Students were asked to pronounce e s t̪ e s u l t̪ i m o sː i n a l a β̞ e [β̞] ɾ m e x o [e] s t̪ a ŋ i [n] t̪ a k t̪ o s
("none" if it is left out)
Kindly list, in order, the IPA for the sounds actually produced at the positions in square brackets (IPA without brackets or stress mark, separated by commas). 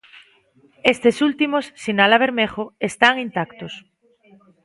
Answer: none, e, n